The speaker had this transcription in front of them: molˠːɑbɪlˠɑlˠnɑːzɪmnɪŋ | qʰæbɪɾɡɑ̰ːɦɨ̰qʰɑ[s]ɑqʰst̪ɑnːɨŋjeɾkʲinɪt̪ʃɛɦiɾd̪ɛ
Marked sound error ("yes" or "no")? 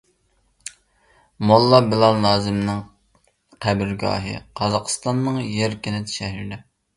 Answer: yes